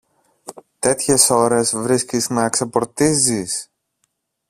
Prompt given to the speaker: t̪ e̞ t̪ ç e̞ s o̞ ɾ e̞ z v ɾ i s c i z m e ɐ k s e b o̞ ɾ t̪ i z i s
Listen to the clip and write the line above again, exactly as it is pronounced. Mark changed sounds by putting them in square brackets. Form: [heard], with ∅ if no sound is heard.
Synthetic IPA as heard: t̪ e̞ t̪ ç e̞ s o̞ ɾ e̞ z v ɾ i s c i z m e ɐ k s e [p] o̞ ɾ t̪ i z i s